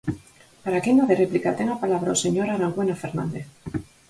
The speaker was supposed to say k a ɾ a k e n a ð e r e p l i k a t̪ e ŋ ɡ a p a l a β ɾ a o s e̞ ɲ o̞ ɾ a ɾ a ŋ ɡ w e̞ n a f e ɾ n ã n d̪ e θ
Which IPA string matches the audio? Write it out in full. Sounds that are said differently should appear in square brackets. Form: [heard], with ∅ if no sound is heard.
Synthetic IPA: [p] a ɾ a k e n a ð e r e p l i k a t̪ e ŋ ɡ a p a l a β ɾ a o s e̞ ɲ o̞ ɾ a ɾ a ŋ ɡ w e̞ n a f e ɾ n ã n d̪ e θ

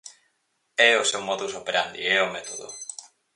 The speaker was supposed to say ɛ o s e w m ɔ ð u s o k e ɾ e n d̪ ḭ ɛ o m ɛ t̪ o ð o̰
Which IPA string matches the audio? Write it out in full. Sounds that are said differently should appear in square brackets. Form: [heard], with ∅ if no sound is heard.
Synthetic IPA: ɛ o s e w m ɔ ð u s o [p] e ɾ [a] n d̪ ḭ ɛ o m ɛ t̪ o ð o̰

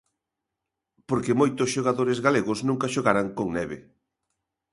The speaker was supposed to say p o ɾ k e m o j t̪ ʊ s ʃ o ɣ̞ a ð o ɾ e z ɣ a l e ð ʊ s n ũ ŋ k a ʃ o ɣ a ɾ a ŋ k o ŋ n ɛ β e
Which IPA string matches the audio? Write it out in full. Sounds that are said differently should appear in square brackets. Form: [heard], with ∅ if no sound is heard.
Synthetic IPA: p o ɾ k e m o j t̪ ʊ s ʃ o ɣ̞ a ð o ɾ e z ɣ a l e [ɣ] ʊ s n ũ ŋ k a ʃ o ɣ a ɾ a ŋ k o ŋ n ɛ β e

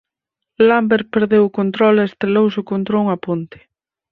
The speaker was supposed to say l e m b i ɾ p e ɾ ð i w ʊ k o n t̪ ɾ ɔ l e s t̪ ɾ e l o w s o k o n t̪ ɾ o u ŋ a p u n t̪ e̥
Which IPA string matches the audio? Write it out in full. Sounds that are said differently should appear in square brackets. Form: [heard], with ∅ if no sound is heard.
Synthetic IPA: l [a] m b [e] ɾ p e ɾ ð [e] w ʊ k o n t̪ ɾ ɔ l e s t̪ ɾ e l o w s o k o n t̪ ɾ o u ŋ a p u n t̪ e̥

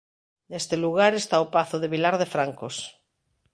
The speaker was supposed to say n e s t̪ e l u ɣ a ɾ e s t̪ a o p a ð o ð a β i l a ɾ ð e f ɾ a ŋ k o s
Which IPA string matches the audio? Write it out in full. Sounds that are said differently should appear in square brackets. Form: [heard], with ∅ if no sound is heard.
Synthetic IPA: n e s t̪ e l u ɣ a ɾ e s t̪ a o p a [θ] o ð [e] β i l a ɾ ð e f ɾ a ŋ k o s

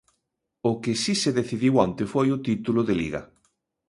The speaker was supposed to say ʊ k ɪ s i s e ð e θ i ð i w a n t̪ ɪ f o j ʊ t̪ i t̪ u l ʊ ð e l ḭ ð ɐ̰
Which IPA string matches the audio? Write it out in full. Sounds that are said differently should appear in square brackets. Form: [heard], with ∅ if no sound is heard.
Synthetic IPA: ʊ k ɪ s i s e ð e θ i ð i w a n t̪ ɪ f o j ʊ t̪ i t̪ u l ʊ ð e l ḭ [ɣ] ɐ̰

